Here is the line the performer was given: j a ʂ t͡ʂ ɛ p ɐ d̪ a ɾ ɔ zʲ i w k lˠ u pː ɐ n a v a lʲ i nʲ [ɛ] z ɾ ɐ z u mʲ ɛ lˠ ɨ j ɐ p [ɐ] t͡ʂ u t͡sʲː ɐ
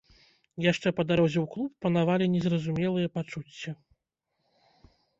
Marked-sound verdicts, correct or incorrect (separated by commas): correct, incorrect